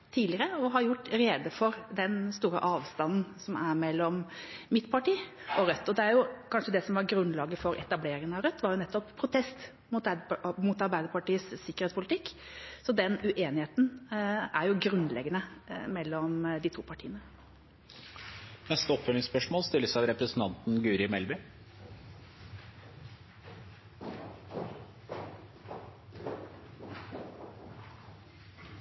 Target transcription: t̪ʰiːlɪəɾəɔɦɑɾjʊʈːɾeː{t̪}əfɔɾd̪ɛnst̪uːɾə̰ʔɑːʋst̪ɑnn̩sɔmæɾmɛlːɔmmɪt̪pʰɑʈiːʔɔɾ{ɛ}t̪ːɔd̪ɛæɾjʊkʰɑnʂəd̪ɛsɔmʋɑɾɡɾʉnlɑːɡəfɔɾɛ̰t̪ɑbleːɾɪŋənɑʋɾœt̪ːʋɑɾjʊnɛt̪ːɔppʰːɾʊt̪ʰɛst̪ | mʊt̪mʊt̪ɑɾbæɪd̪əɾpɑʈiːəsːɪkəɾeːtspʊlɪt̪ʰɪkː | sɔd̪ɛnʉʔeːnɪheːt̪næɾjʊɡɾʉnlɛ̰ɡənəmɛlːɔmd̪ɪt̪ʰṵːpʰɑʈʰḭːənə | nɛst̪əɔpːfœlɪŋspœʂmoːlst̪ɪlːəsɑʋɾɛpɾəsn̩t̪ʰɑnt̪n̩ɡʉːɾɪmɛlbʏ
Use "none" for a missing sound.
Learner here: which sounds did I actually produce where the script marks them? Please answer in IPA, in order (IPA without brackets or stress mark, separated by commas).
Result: d̪, œ